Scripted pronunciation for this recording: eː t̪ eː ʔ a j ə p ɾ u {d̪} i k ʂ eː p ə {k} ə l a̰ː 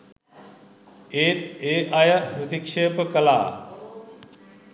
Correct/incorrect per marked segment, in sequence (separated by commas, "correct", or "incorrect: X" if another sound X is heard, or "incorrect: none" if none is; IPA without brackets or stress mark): incorrect: t̪, correct